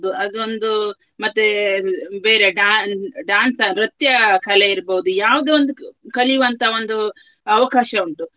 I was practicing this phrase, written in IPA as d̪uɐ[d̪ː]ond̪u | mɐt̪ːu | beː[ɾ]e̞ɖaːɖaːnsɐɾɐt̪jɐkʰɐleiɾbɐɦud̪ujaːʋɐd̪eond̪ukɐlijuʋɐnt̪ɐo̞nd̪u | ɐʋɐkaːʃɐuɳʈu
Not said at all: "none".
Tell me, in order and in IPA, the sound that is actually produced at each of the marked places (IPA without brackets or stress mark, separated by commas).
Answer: d̪, ɾ